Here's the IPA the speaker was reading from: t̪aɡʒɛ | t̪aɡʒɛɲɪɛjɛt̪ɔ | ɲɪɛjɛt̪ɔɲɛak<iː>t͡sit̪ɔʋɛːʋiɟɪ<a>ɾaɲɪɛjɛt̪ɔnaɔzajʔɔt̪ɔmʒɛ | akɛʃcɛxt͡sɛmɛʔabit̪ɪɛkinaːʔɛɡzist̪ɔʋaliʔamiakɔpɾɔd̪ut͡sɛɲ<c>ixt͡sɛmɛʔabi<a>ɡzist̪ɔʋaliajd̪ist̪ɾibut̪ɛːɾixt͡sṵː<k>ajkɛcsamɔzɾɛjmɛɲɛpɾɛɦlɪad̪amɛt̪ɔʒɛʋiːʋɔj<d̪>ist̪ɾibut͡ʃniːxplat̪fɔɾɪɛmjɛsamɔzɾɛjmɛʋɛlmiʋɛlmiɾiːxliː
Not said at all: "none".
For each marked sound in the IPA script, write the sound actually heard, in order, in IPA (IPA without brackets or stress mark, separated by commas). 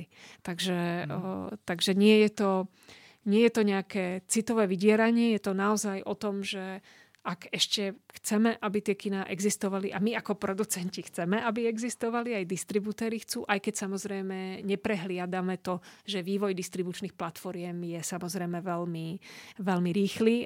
ɛː, ɛ, c, ɛ, ʔ, d̪